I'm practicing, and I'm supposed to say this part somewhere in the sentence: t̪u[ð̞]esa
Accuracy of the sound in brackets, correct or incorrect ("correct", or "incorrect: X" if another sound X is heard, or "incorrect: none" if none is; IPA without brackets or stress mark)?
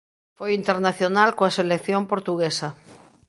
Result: incorrect: ɣ̞